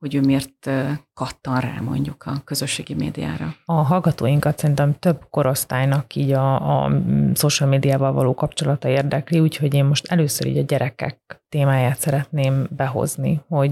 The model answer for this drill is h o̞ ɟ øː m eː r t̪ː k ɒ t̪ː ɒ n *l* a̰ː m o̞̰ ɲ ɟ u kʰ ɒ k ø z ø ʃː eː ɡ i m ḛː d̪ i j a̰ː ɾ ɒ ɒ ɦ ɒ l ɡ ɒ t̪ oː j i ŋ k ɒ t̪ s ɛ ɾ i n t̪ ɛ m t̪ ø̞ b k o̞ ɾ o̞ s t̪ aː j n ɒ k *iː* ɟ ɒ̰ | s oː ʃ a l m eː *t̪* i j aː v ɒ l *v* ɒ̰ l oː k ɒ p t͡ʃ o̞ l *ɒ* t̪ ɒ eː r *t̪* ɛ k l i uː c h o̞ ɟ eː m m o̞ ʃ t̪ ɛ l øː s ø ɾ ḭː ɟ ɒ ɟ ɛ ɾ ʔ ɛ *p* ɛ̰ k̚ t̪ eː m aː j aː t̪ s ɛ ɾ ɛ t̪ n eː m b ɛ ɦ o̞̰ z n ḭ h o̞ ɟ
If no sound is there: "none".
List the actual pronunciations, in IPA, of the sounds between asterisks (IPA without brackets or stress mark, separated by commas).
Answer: r, iː, d̪, v, ɒ, d̪, k